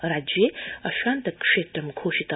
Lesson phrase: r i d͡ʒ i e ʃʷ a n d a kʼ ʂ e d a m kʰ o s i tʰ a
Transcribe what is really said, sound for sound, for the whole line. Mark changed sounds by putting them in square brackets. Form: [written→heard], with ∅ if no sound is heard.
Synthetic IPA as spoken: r [i→a] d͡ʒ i [e→a] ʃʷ a n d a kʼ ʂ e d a m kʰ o [s→ʃ] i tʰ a